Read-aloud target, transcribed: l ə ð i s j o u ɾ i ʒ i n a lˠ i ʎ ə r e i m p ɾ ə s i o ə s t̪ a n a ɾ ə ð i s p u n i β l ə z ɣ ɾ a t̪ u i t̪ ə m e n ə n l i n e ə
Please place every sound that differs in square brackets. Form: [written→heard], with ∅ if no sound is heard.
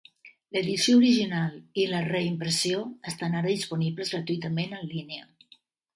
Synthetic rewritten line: l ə ð i s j o u ɾ i ʒ i n a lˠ i [ʎ→l] ə r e i m p ɾ ə s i o ə s t̪ a n a ɾ ə ð i s p u n i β l ə z ɣ ɾ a t̪ u i t̪ ə m e n ə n l i n e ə